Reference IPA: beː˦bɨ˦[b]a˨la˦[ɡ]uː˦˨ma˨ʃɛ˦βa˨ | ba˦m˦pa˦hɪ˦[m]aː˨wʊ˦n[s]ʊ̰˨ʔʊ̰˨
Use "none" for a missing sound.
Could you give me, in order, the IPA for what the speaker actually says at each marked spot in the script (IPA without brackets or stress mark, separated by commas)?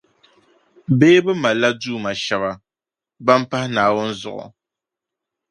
m, d, n, z